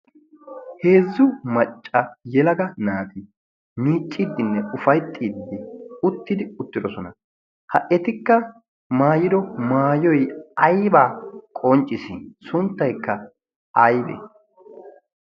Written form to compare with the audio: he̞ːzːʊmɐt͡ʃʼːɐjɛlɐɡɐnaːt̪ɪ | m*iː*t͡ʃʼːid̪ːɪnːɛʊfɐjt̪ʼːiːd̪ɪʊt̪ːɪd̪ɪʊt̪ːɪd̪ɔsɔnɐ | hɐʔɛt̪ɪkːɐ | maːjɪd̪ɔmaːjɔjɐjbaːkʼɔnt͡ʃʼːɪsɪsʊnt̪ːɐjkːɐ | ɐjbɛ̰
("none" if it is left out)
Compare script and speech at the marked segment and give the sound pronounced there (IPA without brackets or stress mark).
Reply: iː